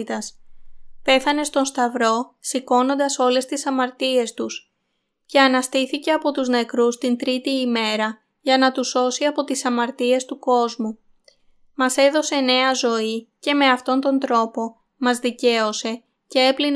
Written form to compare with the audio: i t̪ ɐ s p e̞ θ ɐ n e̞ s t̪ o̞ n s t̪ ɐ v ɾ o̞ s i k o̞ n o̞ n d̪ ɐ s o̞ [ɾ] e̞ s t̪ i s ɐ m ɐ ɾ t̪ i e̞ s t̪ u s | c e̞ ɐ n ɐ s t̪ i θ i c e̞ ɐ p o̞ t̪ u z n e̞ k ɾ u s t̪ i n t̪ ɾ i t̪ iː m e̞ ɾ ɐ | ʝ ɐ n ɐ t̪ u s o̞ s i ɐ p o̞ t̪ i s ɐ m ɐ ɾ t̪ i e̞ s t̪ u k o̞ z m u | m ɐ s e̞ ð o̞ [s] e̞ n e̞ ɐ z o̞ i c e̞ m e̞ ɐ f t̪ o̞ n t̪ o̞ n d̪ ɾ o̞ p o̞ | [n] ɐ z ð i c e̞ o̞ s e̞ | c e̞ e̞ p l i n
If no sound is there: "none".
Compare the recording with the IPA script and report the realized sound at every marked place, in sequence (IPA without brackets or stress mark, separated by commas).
l, s, m